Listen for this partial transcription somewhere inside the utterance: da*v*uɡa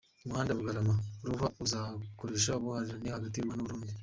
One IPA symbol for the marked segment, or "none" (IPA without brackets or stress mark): β